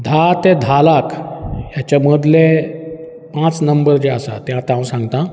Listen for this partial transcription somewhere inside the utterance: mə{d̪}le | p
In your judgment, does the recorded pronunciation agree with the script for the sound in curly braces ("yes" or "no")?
yes